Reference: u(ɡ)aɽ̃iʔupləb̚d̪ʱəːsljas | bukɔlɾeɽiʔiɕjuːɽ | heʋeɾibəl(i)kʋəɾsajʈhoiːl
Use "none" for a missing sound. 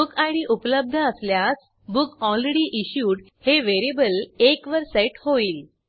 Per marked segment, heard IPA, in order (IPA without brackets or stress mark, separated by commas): k, e